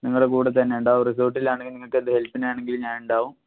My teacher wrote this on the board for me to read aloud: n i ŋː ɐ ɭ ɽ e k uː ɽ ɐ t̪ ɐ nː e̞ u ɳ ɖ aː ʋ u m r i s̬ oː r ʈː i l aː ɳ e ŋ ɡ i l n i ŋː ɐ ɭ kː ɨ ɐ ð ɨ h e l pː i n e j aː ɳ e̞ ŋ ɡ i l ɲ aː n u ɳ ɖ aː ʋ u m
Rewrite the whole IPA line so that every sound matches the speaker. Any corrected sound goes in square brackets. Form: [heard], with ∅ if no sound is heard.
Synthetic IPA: n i ŋː ɐ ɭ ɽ e k uː ɽ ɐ t̪ ɐ nː e̞ u ɳ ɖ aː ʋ u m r i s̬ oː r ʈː i l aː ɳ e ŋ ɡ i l n i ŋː ɐ ɭ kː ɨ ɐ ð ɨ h e l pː i n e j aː ɳ e̞ ŋ ɡ i l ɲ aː n u ɳ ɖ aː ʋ u m